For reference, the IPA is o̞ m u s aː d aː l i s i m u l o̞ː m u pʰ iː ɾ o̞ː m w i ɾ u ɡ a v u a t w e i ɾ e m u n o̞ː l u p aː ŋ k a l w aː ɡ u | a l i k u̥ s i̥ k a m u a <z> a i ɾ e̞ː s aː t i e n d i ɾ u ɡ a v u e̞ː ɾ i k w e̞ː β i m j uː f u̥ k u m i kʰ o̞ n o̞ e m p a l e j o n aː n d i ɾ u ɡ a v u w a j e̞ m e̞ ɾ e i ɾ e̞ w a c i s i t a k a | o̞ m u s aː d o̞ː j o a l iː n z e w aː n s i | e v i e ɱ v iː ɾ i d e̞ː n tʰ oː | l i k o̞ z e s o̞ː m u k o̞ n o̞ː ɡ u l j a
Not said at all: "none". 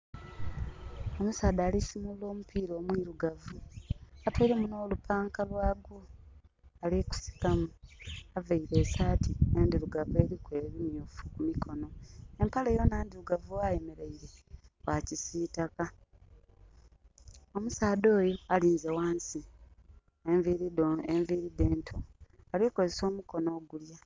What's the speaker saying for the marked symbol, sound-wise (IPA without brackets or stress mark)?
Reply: v